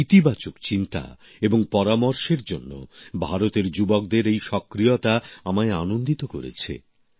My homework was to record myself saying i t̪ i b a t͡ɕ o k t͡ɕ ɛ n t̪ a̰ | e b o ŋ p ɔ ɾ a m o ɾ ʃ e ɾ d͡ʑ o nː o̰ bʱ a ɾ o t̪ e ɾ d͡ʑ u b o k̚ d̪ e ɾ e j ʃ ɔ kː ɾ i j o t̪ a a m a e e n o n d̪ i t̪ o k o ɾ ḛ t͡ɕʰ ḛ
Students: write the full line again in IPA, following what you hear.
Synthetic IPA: i t̪ i b a t͡ɕ o k t͡ɕ i n t̪ a̰ | e b o ŋ p ɔ ɾ a m o ɾ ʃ e ɾ d͡ʑ o nː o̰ bʱ a ɾ o t̪ e ɾ d͡ʑ u b o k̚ d̪ e ɾ e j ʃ ɔ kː ɾ i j o t̪ a a m a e a n o n d̪ i t̪ o k o ɾ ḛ t͡ɕʰ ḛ